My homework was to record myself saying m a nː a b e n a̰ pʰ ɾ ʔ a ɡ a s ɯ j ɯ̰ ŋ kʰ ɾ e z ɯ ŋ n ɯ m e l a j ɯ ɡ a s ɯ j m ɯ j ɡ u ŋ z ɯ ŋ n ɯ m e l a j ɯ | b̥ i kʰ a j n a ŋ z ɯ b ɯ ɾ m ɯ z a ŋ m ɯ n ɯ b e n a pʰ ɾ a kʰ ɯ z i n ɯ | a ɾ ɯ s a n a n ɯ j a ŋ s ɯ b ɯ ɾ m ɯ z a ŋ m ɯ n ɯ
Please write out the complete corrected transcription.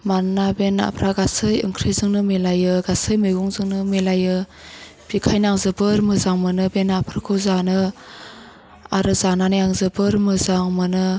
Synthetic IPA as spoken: m a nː a b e n a̰ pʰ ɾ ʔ a ɡ a s ɯ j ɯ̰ ŋ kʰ ɾ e z ɯ ŋ n ɯ m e l a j ɯ ɡ a s ɯ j m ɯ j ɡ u ŋ z ɯ ŋ n ɯ m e l a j ɯ | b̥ i kʰ a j n a ŋ z ɯ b ɯ ɾ m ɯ z a ŋ m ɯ n ɯ b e n a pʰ ɾ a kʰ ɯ z a n ɯ | a ɾ ɯ z a n a n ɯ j a ŋ z ɯ b ɯ ɾ m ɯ z a ŋ m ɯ n ɯ